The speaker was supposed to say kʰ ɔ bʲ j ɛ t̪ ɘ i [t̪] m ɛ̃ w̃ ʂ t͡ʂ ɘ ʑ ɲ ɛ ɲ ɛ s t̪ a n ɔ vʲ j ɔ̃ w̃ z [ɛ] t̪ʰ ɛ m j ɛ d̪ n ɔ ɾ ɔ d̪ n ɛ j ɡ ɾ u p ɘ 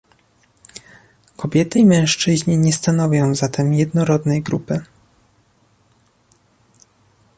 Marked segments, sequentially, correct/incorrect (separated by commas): incorrect, incorrect